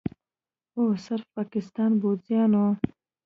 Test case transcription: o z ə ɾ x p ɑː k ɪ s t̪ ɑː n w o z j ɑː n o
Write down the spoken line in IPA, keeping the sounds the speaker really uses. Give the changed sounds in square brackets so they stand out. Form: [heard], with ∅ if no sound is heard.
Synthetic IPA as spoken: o [s] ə ɾ [f] p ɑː k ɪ s t̪ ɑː n [b] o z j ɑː n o